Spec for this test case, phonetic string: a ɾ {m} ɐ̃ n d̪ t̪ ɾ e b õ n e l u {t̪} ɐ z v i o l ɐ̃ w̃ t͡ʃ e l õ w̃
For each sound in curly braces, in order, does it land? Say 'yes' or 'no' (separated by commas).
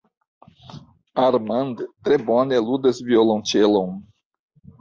yes, no